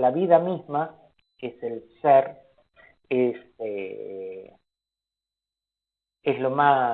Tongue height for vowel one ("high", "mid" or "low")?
low